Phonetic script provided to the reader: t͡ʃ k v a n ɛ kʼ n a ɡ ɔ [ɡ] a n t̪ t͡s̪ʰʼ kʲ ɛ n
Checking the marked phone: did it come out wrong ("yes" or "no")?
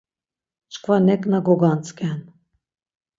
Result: no